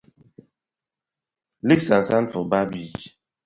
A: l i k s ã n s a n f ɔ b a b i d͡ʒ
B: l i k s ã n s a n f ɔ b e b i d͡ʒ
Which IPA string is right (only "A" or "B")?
A